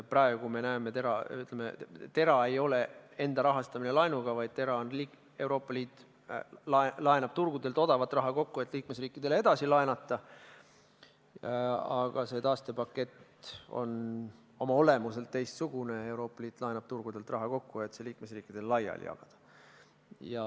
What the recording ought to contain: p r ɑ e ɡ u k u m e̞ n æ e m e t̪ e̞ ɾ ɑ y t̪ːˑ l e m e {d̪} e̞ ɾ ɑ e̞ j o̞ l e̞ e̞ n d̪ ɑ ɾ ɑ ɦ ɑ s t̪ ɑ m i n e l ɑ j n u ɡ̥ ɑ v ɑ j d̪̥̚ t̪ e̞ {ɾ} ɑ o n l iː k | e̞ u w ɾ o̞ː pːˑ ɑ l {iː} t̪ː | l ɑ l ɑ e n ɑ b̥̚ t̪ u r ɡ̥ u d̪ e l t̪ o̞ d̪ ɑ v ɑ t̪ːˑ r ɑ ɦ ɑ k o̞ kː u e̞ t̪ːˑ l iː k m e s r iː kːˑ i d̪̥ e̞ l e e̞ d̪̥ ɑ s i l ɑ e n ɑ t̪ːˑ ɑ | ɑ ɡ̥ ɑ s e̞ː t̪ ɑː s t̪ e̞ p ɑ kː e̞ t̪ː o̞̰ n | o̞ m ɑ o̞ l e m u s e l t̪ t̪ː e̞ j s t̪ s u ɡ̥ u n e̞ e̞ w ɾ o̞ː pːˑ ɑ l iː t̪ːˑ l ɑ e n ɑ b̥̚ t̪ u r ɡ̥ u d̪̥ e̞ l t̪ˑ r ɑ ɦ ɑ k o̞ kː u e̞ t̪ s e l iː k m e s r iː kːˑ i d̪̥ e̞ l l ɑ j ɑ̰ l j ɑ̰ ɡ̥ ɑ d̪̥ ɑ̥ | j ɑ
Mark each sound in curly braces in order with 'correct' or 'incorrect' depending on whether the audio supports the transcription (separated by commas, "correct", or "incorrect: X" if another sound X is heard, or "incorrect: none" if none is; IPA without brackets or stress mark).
incorrect: t̪, correct, correct